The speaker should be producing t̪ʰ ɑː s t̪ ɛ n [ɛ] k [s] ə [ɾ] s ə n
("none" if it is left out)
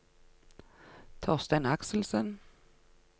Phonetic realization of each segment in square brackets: a, s, l

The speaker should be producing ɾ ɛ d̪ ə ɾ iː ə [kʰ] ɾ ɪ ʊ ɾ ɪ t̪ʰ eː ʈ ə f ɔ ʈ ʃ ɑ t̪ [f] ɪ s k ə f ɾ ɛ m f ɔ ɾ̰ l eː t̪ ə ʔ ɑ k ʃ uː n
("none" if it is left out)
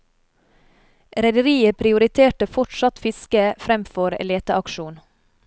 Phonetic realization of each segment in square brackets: pʰ, f

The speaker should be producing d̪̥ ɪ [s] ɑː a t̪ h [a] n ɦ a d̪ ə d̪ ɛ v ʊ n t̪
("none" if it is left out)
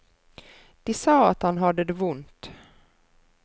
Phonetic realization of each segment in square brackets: s, a

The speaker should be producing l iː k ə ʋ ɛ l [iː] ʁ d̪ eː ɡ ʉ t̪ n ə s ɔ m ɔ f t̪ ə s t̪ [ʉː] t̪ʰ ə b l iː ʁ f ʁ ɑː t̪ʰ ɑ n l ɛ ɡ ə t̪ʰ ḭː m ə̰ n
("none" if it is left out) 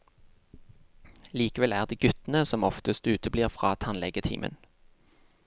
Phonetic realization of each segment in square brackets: æː, ʉː

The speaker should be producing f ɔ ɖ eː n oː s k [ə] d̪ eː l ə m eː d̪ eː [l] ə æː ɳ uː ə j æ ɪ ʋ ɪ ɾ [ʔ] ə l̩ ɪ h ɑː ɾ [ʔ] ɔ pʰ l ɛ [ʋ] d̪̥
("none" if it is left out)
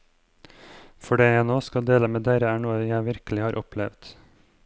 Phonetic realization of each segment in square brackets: ɑ, ɾ, k, ʔ, ʋ

